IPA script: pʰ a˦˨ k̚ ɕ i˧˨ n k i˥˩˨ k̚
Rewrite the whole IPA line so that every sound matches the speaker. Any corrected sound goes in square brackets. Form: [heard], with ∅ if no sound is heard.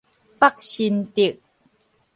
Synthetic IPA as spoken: [p] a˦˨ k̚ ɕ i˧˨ n [t] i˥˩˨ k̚